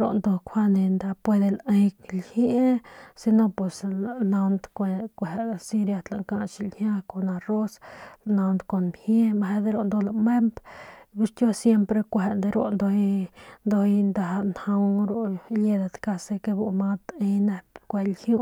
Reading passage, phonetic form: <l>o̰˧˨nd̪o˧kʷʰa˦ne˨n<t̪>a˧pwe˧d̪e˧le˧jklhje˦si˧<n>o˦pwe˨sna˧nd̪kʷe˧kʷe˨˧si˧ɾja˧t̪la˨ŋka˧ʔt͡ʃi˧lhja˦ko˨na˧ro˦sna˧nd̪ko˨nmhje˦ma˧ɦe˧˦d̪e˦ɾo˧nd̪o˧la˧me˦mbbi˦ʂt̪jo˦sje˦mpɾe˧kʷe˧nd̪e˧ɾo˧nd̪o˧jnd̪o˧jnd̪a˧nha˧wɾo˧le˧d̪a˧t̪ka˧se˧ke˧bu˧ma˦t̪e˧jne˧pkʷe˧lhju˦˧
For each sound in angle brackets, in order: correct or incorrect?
incorrect, incorrect, correct

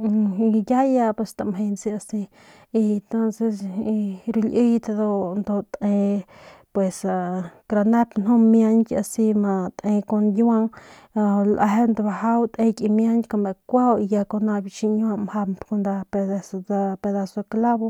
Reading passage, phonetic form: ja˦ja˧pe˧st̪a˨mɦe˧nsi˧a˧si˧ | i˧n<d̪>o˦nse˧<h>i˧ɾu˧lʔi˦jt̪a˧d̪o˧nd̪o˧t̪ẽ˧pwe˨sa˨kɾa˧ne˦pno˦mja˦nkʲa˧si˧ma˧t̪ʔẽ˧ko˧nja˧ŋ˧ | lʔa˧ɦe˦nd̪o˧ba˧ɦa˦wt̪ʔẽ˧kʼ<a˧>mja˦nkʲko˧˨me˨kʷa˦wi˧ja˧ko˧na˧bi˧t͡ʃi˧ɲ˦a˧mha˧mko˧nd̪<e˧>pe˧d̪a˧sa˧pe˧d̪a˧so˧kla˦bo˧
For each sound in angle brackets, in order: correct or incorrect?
incorrect, incorrect, incorrect, incorrect

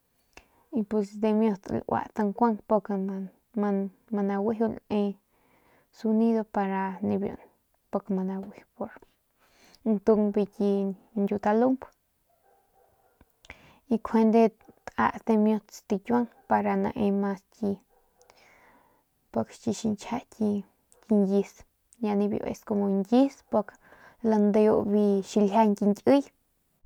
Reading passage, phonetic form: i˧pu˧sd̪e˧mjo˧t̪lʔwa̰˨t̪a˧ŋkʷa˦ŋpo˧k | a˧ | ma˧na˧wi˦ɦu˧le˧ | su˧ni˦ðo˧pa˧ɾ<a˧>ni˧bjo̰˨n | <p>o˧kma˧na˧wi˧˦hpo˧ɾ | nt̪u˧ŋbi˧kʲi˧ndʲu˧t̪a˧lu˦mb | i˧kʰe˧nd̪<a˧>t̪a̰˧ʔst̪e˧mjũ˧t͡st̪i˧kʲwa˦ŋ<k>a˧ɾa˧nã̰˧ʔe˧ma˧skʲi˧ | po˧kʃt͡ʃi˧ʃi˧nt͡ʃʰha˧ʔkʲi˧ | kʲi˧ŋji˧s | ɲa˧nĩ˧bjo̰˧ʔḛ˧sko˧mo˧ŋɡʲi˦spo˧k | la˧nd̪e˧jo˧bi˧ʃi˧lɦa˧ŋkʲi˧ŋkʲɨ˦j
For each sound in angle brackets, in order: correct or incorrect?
correct, correct, incorrect, incorrect

